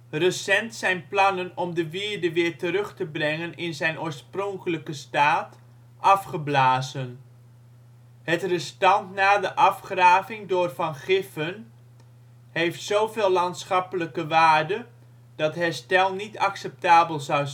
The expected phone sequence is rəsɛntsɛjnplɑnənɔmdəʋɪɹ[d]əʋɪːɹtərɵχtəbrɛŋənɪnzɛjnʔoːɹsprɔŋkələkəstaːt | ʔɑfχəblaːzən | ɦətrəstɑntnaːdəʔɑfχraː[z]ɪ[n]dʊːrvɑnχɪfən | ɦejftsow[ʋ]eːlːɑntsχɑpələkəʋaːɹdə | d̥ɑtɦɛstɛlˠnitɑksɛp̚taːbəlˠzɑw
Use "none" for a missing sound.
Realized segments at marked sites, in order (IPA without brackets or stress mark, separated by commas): d, v, ŋ, v